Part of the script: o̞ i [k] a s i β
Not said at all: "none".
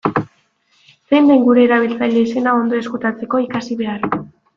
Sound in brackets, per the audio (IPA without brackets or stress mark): k